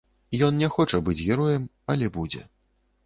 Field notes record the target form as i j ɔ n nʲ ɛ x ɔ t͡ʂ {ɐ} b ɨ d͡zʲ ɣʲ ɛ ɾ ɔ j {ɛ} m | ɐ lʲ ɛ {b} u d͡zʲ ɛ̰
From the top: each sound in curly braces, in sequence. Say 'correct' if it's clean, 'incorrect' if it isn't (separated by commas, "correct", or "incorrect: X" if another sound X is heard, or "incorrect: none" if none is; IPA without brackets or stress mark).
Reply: correct, correct, correct